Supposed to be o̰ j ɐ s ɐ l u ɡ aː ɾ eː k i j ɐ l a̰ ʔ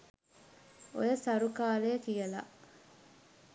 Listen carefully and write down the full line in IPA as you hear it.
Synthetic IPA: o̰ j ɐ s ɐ ɾ u k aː l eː k i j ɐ l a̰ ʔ